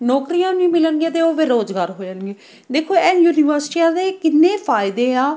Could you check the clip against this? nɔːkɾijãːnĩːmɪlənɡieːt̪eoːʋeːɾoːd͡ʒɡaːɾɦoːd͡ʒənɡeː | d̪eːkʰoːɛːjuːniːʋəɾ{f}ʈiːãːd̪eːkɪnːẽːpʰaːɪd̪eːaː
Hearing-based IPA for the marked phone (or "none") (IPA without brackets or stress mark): s